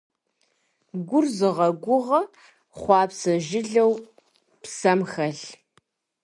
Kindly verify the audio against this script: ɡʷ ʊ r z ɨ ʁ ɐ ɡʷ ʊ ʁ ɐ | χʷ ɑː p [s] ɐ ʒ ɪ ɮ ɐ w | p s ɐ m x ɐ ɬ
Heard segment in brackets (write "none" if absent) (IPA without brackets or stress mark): s